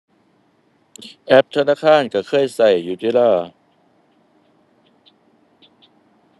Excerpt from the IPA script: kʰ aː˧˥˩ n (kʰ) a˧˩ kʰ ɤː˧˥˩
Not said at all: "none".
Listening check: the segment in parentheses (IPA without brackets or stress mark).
k